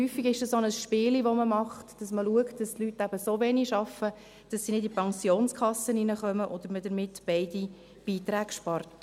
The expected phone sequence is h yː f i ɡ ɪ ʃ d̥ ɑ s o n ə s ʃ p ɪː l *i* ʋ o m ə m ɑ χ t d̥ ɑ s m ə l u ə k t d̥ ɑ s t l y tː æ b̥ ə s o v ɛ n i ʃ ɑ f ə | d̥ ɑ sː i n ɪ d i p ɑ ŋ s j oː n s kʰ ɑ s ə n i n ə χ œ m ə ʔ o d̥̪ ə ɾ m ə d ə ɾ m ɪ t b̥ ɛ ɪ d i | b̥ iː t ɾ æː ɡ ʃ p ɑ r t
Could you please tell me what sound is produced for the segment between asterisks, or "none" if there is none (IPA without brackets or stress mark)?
i